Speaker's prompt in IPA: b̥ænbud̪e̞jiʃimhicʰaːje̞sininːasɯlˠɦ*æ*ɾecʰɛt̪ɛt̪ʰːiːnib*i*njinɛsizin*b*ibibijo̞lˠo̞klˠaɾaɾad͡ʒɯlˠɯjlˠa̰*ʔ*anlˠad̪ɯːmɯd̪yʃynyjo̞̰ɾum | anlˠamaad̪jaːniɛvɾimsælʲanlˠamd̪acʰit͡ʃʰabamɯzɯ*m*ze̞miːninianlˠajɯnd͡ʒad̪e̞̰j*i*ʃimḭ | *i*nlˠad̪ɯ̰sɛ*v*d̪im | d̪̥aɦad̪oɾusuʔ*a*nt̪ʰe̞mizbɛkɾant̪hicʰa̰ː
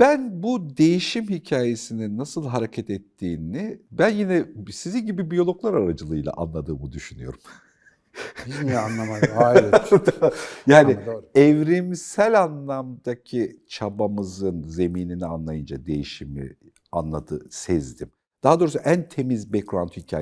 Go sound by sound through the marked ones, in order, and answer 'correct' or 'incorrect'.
incorrect: a, incorrect: æ, incorrect: ɟ, correct, incorrect: n, correct, incorrect: a, incorrect: z, incorrect: æ

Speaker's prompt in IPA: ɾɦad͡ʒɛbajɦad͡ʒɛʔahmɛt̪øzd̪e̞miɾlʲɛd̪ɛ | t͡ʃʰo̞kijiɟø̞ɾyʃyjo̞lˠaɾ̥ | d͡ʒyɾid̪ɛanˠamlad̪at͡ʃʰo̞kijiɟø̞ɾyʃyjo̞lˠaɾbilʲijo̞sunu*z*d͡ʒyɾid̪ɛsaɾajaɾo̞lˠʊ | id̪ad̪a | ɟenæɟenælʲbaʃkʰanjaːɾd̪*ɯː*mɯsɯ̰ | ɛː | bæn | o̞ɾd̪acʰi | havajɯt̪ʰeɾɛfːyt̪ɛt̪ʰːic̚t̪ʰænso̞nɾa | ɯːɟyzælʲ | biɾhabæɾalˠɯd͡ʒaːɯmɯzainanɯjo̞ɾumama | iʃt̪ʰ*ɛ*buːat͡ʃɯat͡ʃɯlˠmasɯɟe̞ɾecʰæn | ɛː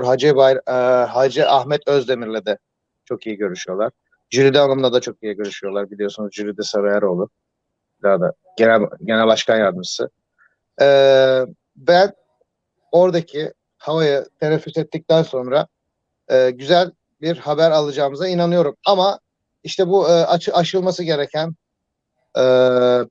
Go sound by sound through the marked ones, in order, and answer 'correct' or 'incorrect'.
correct, incorrect: ɯ, correct

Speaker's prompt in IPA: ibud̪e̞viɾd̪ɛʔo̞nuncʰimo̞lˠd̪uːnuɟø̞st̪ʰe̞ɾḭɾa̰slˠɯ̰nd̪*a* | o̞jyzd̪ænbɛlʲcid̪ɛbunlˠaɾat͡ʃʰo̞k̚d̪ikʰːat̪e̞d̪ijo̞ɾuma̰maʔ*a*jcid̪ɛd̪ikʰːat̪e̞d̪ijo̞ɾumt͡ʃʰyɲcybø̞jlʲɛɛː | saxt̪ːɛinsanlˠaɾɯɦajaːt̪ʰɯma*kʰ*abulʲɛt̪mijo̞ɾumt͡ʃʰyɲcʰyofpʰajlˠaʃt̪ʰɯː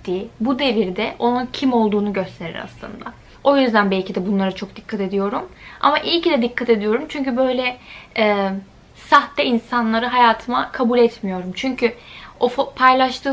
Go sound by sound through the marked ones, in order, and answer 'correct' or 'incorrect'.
correct, incorrect: i, correct

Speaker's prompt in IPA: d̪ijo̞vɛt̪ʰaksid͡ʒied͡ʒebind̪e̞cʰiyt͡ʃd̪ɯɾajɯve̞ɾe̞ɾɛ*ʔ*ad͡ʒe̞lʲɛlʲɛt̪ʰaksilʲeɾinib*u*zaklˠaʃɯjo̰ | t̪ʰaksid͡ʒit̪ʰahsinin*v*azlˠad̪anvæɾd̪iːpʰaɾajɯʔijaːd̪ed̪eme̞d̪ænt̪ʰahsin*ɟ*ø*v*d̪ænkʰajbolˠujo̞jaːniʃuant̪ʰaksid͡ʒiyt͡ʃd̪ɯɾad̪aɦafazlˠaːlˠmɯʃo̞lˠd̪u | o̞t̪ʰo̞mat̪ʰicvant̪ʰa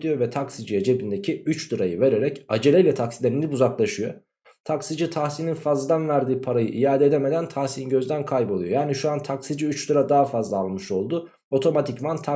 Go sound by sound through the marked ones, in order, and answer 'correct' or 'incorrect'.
incorrect: c, correct, incorrect: f, correct, incorrect: z

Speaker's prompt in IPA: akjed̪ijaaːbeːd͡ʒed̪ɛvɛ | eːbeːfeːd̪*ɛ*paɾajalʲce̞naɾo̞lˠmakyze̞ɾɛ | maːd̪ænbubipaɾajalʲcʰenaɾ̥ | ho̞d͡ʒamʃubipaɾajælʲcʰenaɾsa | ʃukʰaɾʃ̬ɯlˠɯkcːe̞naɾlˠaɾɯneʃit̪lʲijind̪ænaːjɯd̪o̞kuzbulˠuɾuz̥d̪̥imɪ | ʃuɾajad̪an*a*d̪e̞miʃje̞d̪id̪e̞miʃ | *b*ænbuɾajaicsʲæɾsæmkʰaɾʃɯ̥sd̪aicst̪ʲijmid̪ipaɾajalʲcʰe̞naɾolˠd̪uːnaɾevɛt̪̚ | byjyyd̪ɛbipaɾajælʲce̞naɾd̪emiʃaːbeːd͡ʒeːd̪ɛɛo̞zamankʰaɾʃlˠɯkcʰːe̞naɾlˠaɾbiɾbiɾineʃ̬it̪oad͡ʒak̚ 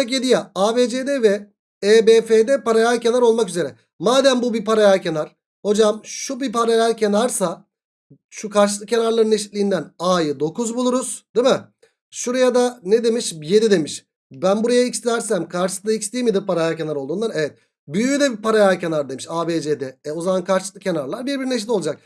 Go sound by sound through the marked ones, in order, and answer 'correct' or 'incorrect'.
correct, incorrect: e, correct

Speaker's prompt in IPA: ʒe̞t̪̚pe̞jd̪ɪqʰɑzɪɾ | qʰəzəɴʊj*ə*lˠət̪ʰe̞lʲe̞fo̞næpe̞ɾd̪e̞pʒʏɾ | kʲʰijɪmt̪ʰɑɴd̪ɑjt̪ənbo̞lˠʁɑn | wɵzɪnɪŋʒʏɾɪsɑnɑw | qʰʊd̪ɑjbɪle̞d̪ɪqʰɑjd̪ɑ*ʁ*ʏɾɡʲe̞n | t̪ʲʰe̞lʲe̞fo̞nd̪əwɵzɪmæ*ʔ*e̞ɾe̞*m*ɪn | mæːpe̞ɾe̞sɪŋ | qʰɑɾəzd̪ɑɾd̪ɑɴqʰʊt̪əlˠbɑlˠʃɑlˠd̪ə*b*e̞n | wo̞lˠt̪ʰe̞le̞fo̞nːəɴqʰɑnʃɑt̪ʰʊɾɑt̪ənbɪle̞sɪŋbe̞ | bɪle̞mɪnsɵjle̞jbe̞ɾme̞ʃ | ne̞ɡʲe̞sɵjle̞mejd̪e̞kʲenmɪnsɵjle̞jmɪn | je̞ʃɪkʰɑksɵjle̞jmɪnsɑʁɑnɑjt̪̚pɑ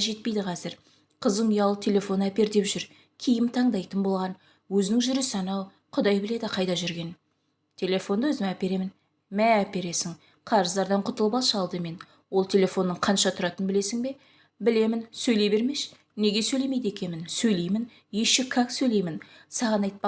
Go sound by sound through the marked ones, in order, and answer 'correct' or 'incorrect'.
incorrect: ɑ, incorrect: ʒ, incorrect: p, correct, incorrect: m

